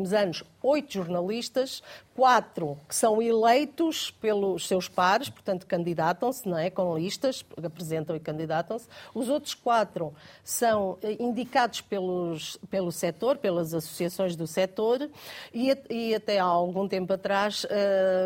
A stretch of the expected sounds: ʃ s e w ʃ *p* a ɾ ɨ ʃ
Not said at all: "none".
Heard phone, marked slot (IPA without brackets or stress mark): p